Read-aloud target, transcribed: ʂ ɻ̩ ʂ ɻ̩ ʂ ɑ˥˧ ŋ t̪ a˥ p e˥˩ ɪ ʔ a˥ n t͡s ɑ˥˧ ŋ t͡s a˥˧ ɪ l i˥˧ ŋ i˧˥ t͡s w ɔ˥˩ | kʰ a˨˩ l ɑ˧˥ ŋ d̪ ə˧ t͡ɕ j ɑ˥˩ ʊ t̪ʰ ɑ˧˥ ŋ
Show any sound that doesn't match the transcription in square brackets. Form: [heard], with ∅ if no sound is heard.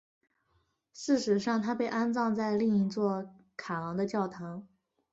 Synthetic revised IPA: ʂ ɻ̩ ʂ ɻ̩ ʂ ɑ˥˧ ŋ [t̪ʰ] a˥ p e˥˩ ɪ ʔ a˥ n t͡s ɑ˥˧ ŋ t͡s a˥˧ ɪ l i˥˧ ŋ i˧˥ t͡s w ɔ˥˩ | kʰ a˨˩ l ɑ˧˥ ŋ d̪ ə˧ t͡ɕ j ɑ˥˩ ʊ t̪ʰ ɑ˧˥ ŋ

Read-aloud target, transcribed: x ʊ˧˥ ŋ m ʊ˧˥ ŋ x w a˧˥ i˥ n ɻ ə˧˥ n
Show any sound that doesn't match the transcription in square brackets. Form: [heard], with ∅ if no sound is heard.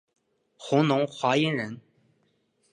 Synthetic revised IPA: x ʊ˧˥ ŋ [n] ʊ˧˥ ŋ x w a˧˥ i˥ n ɻ ə˧˥ n

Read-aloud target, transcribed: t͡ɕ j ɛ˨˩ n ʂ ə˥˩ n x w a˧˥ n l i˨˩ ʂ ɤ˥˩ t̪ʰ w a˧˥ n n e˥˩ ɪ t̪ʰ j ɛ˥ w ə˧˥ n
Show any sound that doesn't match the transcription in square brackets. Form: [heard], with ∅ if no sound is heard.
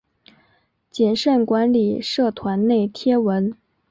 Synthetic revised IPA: t͡ɕ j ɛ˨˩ n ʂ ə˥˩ n [k] w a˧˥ n l i˨˩ ʂ ɤ˥˩ t̪ʰ w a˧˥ n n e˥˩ ɪ t̪ʰ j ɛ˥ w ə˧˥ n

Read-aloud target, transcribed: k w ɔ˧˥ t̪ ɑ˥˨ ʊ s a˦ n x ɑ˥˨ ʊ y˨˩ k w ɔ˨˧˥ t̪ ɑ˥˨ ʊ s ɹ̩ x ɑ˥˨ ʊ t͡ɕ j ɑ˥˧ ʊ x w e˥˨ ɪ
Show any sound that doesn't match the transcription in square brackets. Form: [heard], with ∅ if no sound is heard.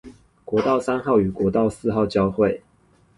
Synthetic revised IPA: k w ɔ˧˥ t̪ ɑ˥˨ ʊ s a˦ n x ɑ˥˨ ʊ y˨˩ k w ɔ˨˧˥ t̪ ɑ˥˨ ʊ s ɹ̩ x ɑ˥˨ ʊ t͡ɕ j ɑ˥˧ ʊ x w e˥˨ ɪ

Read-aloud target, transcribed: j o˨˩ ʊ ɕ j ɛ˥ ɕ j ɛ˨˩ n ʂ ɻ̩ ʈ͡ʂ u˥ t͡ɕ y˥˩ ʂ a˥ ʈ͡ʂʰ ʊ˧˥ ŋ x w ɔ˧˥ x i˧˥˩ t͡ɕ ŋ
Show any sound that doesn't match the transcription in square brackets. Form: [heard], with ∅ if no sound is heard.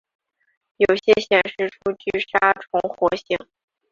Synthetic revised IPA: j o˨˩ ʊ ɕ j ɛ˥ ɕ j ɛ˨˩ n ʂ ɻ̩ [ʈ͡ʂʰ] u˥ t͡ɕ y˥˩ ʂ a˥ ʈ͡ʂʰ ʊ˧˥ ŋ x w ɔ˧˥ [ɕ] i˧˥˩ [∅] ŋ

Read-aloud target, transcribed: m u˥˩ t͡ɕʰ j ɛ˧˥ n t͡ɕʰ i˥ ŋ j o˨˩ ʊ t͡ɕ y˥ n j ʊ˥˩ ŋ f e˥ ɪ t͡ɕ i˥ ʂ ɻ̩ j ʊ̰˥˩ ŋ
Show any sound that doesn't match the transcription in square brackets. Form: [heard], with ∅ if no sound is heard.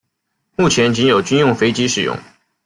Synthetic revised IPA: m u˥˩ t͡ɕʰ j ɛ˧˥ n [t͡ɕ] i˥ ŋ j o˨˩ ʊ t͡ɕ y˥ n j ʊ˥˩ ŋ f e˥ ɪ t͡ɕ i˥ ʂ ɻ̩ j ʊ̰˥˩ ŋ

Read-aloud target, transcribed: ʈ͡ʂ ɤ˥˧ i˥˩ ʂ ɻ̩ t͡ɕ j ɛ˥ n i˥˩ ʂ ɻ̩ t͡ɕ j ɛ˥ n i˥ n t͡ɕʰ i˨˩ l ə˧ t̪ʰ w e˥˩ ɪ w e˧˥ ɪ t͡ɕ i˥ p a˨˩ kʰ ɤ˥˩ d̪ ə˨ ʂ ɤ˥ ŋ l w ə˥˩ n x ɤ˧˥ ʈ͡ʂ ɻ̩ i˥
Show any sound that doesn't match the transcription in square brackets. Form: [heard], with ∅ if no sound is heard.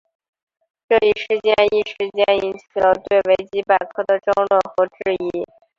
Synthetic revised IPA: ʈ͡ʂ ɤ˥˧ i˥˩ ʂ ɻ̩ t͡ɕ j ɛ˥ n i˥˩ ʂ ɻ̩ t͡ɕ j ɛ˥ n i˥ n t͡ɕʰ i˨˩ l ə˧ [t̪] w e˥˩ ɪ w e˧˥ ɪ t͡ɕ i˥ p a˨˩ kʰ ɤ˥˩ d̪ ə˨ [ʈ͡ʂ] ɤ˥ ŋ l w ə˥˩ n x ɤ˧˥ ʈ͡ʂ ɻ̩ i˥

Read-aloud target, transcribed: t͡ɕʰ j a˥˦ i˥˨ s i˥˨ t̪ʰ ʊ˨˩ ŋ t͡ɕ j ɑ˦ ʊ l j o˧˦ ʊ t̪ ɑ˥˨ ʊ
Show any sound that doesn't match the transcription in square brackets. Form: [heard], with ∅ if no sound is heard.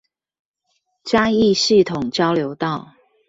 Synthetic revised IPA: [t͡ɕ] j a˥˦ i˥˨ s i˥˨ t̪ʰ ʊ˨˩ ŋ t͡ɕ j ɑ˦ ʊ l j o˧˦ ʊ t̪ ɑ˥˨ ʊ

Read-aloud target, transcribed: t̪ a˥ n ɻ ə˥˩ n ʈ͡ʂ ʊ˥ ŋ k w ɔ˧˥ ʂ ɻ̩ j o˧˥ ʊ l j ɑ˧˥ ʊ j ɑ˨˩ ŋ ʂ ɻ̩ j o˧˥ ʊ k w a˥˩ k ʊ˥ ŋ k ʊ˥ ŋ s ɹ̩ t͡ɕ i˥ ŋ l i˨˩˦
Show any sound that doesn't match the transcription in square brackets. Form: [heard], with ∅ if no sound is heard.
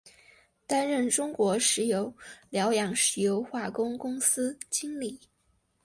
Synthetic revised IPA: t̪ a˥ n ɻ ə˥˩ n ʈ͡ʂ ʊ˥ ŋ k w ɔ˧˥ ʂ ɻ̩ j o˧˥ ʊ l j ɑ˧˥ ʊ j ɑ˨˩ ŋ ʂ ɻ̩ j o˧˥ ʊ [x] w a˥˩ k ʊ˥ ŋ k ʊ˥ ŋ s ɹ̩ t͡ɕ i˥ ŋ l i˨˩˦

